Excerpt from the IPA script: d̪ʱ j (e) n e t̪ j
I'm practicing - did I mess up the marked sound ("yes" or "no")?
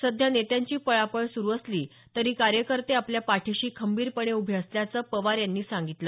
yes